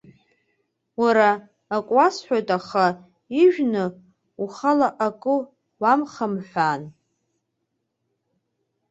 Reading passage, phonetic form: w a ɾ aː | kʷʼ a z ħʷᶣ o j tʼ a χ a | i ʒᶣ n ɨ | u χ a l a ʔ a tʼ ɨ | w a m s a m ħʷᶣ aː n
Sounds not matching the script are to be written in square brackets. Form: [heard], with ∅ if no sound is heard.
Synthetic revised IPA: w a ɾ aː | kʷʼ a [s] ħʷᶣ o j tʼ a χ a | i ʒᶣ n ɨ | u χ a l a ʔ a [kʼ] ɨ | w a m [χ] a m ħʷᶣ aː n